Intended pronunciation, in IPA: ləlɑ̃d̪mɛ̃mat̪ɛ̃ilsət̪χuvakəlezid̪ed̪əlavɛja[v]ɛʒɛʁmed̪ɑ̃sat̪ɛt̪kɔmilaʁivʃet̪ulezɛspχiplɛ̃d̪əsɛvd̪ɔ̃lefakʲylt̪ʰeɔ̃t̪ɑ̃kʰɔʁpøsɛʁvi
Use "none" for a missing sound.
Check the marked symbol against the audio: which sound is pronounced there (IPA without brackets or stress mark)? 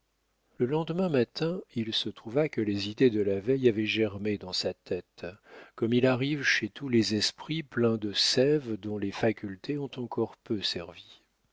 v